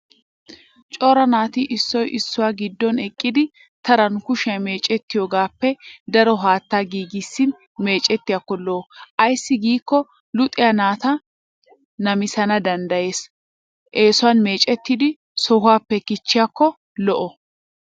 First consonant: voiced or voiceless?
voiceless